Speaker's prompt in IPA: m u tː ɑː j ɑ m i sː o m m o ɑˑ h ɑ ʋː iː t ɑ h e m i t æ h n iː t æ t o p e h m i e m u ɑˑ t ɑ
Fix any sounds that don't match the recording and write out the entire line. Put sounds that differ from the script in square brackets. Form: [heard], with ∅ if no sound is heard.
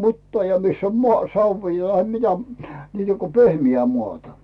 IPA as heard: m u tː ɑː j ɑ m i sː o m m o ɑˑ [s] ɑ ʋː iː t ɑ h e m i t æ [∅] n iː t æ [k] o p e h m i [æ] m u ɑˑ t ɑ

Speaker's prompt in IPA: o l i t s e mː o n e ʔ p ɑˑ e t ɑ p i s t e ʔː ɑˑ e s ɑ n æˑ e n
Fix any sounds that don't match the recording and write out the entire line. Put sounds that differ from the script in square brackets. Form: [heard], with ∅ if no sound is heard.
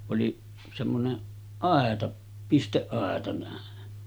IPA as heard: o l i [∅] s e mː o n e ʔ [ʔ] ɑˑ e t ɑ p i s t e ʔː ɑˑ e [t] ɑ n æˑ e n

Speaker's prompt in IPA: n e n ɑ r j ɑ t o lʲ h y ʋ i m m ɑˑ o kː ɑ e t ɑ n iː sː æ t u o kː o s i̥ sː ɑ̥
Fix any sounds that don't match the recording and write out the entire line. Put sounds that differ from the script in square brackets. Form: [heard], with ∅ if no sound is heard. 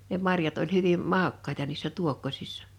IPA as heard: n e [m] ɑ r j ɑ t o lʲ h y ʋ i m m ɑˑ o kː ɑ e t ɑ n iː sː æ t u o kː o s i̥ sː ɑ̥

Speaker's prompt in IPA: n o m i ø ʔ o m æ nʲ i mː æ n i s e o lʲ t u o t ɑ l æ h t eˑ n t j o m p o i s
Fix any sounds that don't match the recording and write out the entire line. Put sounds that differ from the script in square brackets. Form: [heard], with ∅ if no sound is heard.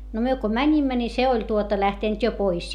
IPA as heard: n o m [y] ø [k] o m æ nʲ i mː æ n i s e o lʲ t u o t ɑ l æ h t eˑ n t j o [∅] p o i s

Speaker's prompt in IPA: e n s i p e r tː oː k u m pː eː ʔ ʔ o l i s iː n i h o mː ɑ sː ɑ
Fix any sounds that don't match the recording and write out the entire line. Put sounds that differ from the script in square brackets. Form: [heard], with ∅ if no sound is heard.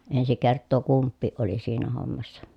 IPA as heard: e n s i [k] e r tː oː k u m pː [iː] ʔ ʔ o l i s iː n [æ] h o mː ɑ sː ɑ

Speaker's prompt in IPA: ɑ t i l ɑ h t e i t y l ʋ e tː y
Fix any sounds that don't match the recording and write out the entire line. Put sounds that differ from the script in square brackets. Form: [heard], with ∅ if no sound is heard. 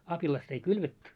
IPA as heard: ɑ [p] i l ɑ [s] t e i [k] y l ʋ e tː y

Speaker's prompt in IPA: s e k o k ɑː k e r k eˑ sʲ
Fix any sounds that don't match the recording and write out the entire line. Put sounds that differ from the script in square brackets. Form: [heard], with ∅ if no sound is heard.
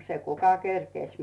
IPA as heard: s e k [u] k [ɑ] k e r k eˑ sʲ

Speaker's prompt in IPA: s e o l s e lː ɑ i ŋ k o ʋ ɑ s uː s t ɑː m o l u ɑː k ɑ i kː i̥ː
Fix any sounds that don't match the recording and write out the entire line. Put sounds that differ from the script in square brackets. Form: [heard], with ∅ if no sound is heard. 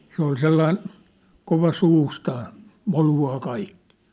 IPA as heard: s e o l s e lː ɑ i [n] k o ʋ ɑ s uː s t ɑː m o l u ɑː k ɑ i kː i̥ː

